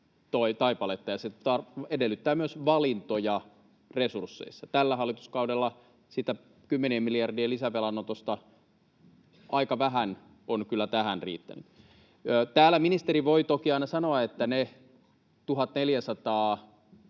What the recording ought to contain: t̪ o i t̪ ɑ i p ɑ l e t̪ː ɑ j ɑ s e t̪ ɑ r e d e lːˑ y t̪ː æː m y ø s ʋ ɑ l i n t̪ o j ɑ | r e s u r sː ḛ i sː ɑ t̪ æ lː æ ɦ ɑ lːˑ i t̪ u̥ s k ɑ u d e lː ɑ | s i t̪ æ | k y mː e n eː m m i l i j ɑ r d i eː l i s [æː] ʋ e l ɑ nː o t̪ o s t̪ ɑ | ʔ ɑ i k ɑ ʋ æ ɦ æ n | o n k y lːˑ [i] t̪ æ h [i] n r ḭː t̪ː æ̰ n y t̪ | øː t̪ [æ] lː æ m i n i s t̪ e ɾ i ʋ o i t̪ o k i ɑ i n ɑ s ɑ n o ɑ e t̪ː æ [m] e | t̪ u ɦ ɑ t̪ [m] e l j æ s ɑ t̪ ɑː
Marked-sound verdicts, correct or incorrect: incorrect, incorrect, incorrect, incorrect, incorrect, incorrect

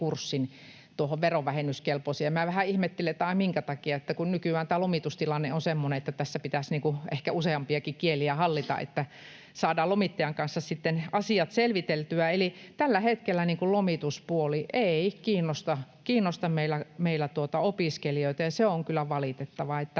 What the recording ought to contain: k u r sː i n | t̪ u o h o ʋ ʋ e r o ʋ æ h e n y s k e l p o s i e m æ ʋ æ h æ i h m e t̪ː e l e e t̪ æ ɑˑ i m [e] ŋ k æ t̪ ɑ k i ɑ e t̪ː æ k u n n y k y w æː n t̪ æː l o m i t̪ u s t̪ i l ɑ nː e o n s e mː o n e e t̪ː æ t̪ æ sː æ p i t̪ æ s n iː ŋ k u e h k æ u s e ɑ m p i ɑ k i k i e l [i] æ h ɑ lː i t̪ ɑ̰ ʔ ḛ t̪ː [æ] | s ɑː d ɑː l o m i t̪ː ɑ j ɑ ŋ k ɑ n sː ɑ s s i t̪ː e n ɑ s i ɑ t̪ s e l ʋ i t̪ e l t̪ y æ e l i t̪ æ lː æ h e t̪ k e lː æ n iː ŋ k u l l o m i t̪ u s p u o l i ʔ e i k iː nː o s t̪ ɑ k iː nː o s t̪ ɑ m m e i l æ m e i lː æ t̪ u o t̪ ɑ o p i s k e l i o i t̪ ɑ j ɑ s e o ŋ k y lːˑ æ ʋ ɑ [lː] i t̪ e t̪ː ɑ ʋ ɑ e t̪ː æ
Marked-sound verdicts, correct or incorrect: incorrect, correct, correct, incorrect

